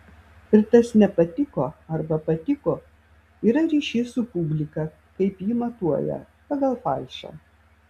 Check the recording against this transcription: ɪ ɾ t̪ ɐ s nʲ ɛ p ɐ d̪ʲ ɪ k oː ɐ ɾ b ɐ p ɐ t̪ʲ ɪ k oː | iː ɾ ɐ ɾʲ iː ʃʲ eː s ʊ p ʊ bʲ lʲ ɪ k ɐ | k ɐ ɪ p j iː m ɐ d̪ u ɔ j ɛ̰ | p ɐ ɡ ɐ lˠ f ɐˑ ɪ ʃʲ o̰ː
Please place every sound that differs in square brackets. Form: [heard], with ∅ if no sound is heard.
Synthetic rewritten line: ɪ ɾ t̪ ɐ s nʲ ɛ p ɐ [t̪ʲ] ɪ k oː ɐ ɾ b ɐ p ɐ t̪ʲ ɪ k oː | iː ɾ ɐ ɾʲ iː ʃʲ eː s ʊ p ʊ bʲ lʲ ɪ k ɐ | k ɐ ɪ p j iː m ɐ [t̪] u ɔ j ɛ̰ | p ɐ ɡ ɐ lˠ f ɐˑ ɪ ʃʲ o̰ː